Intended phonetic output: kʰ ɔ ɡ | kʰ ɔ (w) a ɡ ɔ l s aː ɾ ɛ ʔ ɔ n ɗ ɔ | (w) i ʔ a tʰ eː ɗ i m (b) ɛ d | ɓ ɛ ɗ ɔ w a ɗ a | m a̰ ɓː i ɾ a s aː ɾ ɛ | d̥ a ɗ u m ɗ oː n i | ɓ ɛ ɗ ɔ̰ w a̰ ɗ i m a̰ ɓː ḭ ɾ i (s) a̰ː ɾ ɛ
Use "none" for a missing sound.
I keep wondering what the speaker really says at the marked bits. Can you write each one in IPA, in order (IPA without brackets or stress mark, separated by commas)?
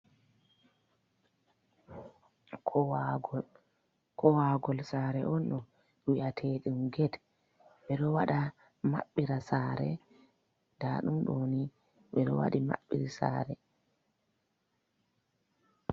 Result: w, w, ɡ, s